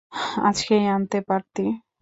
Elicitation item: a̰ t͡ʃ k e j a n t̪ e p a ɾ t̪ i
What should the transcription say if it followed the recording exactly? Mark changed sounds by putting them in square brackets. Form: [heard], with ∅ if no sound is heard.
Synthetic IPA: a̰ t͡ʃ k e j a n t̪ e p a ɾ t̪ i

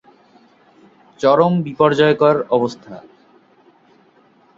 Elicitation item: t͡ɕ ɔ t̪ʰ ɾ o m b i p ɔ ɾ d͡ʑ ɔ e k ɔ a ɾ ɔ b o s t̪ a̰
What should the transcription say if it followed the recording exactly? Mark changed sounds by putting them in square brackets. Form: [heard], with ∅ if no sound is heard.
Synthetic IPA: t͡ɕ ɔ [∅] ɾ o m b i p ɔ ɾ d͡ʑ ɔ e k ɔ a ɾ ɔ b o s [t̪ʰ] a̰

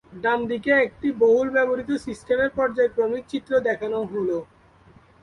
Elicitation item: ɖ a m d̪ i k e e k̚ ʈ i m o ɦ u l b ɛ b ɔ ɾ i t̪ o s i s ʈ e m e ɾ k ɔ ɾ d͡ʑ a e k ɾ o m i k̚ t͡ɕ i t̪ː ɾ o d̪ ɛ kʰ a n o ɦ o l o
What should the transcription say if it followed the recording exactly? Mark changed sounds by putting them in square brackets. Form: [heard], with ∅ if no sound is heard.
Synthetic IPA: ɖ a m d̪ i k e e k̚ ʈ i [b] o ɦ u l b ɛ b [o] ɾ i t̪ o s i s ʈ e m e ɾ [p] ɔ ɾ d͡ʑ a e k ɾ o m i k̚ t͡ɕ i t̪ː ɾ o d̪ ɛ kʰ a n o ɦ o l o

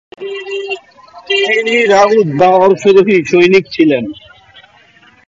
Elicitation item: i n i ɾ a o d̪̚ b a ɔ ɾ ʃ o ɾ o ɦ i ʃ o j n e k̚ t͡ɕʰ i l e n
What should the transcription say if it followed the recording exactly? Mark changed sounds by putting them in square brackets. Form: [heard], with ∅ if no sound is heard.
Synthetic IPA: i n i ɾ a [u] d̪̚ b a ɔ ɾ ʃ o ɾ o ɦ i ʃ o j n [i] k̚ t͡ɕʰ i l e n

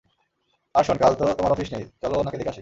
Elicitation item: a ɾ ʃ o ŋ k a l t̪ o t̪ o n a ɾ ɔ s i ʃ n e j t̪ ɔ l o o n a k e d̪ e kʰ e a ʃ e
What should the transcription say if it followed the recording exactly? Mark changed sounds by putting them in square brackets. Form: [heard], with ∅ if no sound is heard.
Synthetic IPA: a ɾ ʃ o [n] k a l t̪ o t̪ o [m] a ɾ ɔ [f] i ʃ n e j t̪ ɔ l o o n a k e d̪ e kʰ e a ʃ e

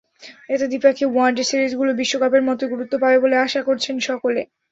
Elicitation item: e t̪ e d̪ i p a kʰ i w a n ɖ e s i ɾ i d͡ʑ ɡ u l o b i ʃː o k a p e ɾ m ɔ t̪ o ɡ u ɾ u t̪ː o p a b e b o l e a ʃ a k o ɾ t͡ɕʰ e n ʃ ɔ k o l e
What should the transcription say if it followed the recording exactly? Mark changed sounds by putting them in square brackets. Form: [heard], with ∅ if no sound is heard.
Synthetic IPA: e t̪ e d̪ i p a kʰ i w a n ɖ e s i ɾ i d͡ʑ ɡ u l o b i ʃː o k a p e ɾ m ɔ t̪ o ɡ u ɾ u t̪ː o p a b e b o l e a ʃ a k o ɾ t͡ɕʰ e n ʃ ɔ k o l e

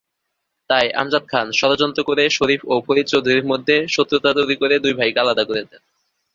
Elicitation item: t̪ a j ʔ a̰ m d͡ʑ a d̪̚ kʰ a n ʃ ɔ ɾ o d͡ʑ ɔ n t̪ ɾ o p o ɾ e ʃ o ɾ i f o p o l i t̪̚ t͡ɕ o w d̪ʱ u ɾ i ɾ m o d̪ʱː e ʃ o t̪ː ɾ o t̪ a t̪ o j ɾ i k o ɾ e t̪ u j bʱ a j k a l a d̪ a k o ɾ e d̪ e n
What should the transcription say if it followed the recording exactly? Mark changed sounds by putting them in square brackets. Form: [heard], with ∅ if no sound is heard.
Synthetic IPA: t̪ a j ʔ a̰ m d͡ʑ a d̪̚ kʰ a n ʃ ɔ ɾ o d͡ʑ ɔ n t̪ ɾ o [k] o ɾ e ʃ o ɾ i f o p o [ɾ] i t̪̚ t͡ɕ o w d̪ʱ u ɾ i ɾ m o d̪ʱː e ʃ o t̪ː ɾ o t̪ a t̪ o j ɾ i k o ɾ e [d̪] u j bʱ a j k a l a d̪ a k o ɾ e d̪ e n

